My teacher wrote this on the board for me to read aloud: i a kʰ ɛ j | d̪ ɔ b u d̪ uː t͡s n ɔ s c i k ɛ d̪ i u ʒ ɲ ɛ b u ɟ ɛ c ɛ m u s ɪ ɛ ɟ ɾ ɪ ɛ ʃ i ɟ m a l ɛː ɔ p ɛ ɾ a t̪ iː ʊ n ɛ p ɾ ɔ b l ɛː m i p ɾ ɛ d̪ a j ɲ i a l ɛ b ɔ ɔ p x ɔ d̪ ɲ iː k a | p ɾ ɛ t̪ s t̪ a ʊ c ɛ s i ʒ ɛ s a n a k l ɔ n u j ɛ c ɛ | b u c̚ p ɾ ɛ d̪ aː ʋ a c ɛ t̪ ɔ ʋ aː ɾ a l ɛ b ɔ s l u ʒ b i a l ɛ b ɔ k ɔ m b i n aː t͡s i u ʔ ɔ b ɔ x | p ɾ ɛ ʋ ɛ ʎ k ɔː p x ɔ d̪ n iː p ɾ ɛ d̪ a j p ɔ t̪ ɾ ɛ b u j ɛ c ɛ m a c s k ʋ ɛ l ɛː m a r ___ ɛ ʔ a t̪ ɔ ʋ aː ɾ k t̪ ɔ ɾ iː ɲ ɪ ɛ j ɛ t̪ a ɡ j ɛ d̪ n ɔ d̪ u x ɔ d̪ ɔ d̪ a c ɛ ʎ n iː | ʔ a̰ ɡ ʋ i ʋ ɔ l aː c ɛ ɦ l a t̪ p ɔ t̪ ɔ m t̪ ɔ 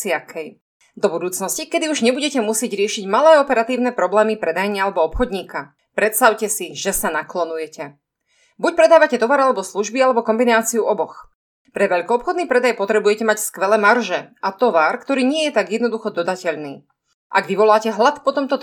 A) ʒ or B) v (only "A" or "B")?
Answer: A